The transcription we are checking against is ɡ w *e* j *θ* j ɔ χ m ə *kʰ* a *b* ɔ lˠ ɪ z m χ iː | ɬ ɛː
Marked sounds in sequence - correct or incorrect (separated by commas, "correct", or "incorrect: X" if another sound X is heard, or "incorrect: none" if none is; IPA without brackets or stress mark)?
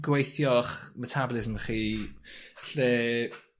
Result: correct, correct, incorrect: tʰ, correct